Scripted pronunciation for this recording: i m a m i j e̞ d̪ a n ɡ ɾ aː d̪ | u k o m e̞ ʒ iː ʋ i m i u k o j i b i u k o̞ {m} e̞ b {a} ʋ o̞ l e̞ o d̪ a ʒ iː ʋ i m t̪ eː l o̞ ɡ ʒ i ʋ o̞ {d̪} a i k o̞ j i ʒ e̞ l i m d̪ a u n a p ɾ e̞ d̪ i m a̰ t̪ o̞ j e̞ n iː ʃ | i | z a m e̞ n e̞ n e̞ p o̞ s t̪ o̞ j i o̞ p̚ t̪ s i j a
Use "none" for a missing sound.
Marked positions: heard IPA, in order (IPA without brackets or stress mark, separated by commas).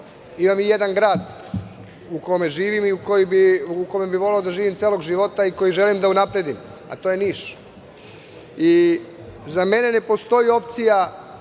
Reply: m, i, t̪